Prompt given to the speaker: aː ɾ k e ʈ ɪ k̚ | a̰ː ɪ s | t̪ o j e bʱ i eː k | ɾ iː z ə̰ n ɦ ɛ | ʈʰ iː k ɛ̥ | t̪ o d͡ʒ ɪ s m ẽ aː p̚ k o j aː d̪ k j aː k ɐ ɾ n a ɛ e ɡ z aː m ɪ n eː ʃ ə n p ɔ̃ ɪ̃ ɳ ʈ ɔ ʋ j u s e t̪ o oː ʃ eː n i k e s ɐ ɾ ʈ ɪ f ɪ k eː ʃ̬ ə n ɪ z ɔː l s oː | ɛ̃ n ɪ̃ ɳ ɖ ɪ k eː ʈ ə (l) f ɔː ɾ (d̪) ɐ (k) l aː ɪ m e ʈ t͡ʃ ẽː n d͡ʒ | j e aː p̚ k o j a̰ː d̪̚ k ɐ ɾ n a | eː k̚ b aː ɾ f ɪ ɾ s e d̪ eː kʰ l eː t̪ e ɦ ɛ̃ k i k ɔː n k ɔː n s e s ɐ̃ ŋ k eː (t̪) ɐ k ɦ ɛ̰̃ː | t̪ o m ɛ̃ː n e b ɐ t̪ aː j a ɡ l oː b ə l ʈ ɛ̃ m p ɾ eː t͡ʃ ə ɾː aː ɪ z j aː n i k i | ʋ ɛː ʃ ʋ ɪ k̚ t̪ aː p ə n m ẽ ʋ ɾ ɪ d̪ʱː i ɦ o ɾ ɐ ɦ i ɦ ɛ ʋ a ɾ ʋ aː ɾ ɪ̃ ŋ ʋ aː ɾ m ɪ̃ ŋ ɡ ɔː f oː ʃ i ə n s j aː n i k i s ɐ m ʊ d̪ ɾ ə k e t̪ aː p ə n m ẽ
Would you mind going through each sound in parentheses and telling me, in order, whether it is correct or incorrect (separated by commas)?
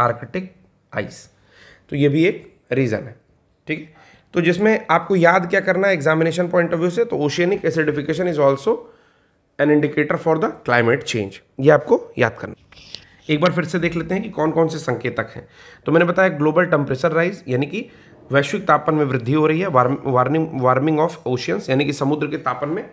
incorrect, correct, correct, correct